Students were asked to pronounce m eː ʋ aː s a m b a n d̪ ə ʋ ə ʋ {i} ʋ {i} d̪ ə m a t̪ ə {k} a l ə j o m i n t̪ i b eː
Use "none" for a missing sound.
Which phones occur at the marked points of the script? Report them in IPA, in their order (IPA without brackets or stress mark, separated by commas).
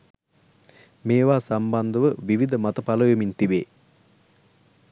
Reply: i, i, p